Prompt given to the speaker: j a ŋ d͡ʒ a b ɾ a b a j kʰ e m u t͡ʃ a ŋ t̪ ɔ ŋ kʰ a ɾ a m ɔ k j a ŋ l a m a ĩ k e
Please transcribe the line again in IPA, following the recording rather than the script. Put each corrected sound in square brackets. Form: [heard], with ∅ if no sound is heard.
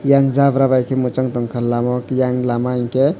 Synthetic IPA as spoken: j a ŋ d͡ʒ a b ɾ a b a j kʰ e m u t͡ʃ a ŋ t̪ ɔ ŋ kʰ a [l] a m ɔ k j a ŋ l a m a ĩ k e